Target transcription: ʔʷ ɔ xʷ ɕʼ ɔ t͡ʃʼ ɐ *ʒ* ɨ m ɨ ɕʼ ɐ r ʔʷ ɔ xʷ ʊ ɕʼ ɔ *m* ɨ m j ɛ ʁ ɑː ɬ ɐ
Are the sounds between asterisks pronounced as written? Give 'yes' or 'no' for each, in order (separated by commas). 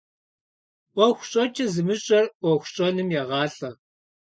no, no